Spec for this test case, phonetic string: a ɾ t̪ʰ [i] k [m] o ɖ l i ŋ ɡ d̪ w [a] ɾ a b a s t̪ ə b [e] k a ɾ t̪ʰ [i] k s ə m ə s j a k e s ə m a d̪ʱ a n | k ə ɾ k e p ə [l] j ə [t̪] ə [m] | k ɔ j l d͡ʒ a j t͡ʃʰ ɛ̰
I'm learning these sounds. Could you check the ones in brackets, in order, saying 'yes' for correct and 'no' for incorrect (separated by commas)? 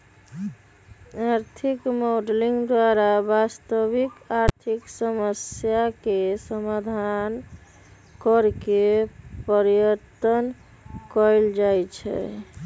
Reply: yes, yes, yes, no, yes, no, yes, no